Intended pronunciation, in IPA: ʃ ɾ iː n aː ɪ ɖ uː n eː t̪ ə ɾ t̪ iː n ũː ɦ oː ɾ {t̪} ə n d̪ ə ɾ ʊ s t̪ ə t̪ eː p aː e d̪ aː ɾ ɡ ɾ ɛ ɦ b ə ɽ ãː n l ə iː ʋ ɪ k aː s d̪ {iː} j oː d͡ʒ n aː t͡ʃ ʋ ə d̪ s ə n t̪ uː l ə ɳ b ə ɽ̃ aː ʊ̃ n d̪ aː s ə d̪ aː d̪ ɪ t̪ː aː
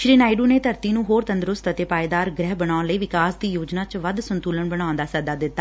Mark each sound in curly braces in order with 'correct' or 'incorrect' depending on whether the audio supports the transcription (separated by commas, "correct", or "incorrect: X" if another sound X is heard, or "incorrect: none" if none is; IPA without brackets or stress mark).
correct, correct